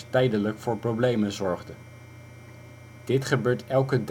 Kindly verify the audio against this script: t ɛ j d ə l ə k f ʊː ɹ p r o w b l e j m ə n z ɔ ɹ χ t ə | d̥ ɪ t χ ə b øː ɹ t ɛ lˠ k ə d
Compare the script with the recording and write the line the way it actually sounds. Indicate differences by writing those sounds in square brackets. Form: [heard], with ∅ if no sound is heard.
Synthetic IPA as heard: t ɛ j d ə l ə k f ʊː ɹ p r o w b l e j m ə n z ɔ ɹ χ [d] ə | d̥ ɪ t χ ə b øː ɹ t ɛ lˠ k ə d

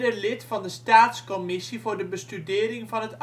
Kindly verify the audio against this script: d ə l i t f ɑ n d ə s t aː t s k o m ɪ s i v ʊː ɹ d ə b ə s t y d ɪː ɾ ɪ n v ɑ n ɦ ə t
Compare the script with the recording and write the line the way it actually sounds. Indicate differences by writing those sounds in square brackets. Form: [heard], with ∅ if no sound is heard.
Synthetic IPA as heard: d ə l [ɪ] t f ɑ n d ə s t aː t s k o m ɪ s i v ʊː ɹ d ə b ə s t y d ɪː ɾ ɪ [ŋ] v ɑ n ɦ ə t

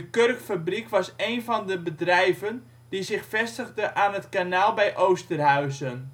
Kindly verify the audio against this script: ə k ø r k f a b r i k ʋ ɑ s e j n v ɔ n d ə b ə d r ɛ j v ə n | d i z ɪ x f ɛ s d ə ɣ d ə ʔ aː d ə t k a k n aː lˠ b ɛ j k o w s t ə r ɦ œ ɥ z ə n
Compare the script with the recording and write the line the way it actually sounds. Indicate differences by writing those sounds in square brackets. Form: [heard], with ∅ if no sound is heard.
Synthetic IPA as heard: ə k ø r k f a b r i k ʋ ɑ s e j n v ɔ n d ə b ə d r ɛ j v ə n | d i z ɪ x f ɛ s [t] ə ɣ d ə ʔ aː [n] ə t k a [∅] n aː lˠ b ɛ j [ʔ] o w s t ə r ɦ œ ɥ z ə n

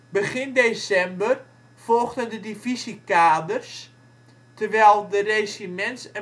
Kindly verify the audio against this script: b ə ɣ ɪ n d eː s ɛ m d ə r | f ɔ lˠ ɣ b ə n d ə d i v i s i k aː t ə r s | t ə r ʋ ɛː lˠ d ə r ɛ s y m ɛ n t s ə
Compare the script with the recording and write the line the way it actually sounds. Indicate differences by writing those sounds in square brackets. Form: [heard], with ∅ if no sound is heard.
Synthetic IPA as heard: b ə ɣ ɪ n d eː s ɛ m [b] ə r | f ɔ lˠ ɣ [d] ə n d ə d i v i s i k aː [d] ə r s | t ə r ʋ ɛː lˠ d ə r [e] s [i] m ɛ n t s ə

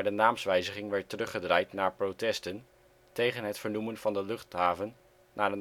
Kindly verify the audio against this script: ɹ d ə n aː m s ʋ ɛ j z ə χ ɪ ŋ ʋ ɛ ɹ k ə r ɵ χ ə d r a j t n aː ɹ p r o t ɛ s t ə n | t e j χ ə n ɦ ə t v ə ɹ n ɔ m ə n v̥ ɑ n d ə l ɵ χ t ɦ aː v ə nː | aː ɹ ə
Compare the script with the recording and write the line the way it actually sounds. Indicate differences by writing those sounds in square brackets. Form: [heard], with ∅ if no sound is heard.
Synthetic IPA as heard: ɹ d ə n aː m s ʋ ɛ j z ə χ ɪ ŋ ʋ ɛ ɹ [t] ə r ɵ χ ə d r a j t n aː ɹ p r o t ɛ s t ə n | t e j χ ə n ɦ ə t [f] ə ɹ n [u] m ə n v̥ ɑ n d ə l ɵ χ t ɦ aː v ə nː | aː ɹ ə

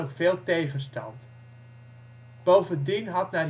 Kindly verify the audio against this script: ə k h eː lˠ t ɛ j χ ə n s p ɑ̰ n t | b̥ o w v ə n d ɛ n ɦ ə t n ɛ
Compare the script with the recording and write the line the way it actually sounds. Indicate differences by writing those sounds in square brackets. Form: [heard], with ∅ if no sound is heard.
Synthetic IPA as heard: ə k [f] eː lˠ t [e] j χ ə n s [t] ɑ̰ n t | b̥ o w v ə n d [i] n ɦ [ɑ] t n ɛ

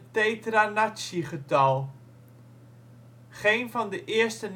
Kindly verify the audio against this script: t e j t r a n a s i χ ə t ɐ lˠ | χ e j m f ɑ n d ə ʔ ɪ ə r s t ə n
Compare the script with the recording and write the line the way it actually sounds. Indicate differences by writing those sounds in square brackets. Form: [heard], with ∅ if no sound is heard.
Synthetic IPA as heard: t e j t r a n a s i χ ə t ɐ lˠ | χ e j [n] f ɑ n d ə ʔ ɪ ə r s t ə n

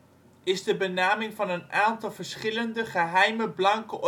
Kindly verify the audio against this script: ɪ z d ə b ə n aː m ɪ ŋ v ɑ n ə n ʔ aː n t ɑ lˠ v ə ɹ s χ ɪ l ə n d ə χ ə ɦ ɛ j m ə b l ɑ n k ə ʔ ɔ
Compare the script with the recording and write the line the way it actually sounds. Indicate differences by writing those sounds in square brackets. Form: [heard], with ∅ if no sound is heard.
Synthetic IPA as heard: ɪ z d ə b ə n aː m ɪ ŋ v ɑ n ə n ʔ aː n t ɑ lˠ v ə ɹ s χ ɪ l ə n d ə χ ə ɦ ɛ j m ə b l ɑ [ŋ] k ə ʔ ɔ

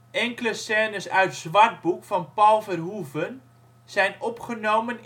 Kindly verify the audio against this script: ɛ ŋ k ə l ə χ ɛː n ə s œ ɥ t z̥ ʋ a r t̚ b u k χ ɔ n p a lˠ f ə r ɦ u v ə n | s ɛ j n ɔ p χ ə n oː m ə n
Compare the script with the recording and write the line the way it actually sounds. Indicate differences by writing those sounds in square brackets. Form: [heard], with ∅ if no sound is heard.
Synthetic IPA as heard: ɛ ŋ k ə l ə [s] ɛː n ə s œ ɥ t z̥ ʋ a r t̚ b u k [f] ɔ n p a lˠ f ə r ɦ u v ə n | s ɛ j n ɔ p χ ə n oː m ə n

